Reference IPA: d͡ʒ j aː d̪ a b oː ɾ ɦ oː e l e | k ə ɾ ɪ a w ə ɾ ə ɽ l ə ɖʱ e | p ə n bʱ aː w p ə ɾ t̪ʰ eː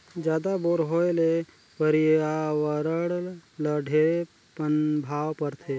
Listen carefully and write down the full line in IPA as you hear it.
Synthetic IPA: d͡ʒ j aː d̪ a b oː ɾ ɦ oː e l e | p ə ɾ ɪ a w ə ɾ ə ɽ l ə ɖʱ e | p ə n bʱ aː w p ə ɾ t̪ʰ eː